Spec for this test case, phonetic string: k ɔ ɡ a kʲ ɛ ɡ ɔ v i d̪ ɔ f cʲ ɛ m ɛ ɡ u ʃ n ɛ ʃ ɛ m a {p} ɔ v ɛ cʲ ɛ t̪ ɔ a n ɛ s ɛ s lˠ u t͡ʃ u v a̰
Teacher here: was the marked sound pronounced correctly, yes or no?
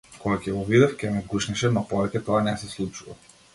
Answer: yes